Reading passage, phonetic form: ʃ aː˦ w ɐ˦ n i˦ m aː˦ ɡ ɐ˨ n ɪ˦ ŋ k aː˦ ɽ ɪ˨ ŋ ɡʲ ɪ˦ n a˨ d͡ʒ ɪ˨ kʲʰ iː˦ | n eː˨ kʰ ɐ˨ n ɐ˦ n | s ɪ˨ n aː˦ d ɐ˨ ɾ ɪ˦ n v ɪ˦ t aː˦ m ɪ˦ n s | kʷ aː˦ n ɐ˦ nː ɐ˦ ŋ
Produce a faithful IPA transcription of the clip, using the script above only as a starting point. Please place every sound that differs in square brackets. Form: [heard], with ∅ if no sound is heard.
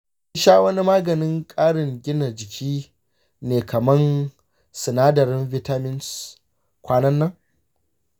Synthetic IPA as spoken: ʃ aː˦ w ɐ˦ n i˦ m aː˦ ɡ ɐ˨ n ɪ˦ ŋ [kʼ] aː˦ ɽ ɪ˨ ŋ ɡʲ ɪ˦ n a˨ d͡ʒ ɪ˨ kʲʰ iː˦ | n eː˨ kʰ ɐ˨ [m] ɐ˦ n | s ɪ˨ n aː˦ d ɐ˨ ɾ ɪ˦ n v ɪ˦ t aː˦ m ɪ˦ n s | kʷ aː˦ n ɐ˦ nː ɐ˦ ŋ